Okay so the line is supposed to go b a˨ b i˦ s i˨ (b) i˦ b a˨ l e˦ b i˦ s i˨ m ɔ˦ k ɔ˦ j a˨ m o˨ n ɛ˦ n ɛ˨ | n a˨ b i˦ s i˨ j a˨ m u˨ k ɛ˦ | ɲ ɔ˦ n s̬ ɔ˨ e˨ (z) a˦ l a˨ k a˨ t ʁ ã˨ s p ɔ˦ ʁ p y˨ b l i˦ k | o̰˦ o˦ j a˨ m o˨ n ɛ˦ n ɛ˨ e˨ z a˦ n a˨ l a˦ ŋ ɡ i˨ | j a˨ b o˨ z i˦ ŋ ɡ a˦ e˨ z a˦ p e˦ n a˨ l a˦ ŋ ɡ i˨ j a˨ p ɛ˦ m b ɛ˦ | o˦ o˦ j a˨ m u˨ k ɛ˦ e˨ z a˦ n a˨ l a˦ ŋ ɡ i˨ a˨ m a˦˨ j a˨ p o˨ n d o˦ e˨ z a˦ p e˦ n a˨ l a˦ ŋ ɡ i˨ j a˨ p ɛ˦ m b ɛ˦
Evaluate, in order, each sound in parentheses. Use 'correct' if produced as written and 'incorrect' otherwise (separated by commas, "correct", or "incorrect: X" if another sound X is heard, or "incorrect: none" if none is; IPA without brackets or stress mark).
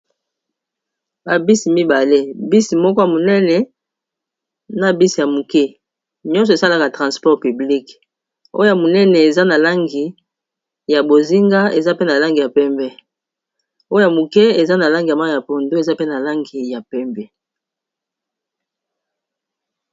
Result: incorrect: m, incorrect: s